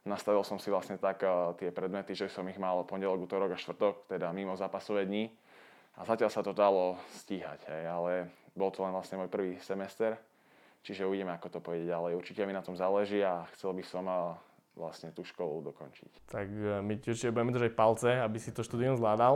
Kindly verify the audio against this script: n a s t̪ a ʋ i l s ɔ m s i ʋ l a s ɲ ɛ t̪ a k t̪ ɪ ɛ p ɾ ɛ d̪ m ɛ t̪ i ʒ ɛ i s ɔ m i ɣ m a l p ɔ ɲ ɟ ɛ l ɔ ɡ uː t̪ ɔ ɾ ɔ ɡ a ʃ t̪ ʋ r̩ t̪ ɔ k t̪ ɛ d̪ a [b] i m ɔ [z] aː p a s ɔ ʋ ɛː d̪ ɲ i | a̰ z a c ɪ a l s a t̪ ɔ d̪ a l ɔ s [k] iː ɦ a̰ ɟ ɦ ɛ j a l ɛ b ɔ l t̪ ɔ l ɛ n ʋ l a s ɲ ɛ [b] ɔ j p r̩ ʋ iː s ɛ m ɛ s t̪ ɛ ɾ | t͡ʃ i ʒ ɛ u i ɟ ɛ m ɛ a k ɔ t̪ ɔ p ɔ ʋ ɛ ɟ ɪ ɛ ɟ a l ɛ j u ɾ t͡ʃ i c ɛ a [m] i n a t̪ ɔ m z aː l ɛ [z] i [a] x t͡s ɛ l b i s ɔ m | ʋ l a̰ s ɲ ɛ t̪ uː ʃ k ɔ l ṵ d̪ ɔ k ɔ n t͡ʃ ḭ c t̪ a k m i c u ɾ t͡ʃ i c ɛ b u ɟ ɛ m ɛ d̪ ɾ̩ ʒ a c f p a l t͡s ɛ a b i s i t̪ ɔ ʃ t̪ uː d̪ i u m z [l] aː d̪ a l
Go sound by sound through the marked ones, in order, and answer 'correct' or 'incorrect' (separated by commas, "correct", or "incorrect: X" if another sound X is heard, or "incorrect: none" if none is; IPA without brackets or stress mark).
incorrect: m, correct, incorrect: c, incorrect: m, correct, incorrect: ʒ, correct, correct